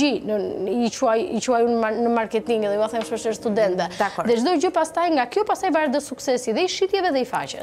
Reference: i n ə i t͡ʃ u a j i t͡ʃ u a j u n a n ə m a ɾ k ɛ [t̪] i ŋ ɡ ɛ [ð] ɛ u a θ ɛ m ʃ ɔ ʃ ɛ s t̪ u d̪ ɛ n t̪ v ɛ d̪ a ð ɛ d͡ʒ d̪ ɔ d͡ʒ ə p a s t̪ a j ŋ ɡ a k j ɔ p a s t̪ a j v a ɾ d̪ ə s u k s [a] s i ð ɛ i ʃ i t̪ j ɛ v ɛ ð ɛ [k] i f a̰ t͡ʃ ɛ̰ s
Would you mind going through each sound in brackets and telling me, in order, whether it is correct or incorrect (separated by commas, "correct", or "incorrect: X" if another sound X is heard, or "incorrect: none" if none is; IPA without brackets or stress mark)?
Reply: correct, correct, incorrect: ɛ, incorrect: none